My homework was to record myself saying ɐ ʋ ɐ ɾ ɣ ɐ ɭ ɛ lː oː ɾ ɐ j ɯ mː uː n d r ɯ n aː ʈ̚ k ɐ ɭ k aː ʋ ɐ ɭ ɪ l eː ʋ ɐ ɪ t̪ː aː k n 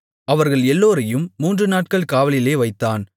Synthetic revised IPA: ɐ ʋ ɐ ɾ ɣ ɐ ɭ ɛ lː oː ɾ ɐ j ɯ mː uː n d r ɯ n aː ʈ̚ k ɐ ɭ k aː ʋ ɐ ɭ ɪ l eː ʋ ɐ ɪ t̪ː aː n